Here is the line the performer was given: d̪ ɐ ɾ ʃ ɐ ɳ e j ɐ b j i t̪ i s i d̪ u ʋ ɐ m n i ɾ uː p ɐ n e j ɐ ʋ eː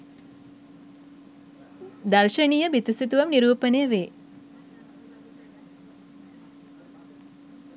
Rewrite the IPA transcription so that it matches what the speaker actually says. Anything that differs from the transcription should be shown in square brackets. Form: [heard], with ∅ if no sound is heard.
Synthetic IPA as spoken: d̪ ɐ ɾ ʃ ɐ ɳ [i] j ɐ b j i t̪ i s i [t̪] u ʋ ɐ m n i ɾ uː p ɐ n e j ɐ ʋ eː